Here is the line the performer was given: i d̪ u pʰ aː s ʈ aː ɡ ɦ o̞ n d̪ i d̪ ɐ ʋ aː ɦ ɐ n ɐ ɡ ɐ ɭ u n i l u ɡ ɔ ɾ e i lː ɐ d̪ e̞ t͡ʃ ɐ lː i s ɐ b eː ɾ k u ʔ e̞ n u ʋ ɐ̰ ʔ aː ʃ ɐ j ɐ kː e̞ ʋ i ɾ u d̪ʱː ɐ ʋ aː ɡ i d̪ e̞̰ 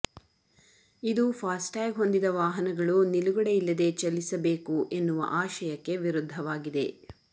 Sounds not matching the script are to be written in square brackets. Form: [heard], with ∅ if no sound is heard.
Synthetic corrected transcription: i d̪ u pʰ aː s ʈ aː ɡ ɦ o̞ n d̪ i d̪ ɐ ʋ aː ɦ ɐ n ɐ ɡ ɐ ɭ u n i l u ɡ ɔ [ɽ] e i lː ɐ d̪ e̞ t͡ʃ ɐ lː i s ɐ b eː [∅] k u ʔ e̞ [nː] u ʋ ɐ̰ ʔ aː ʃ ɐ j ɐ kː e̞ ʋ i ɾ u d̪ʱː ɐ ʋ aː ɡ i d̪ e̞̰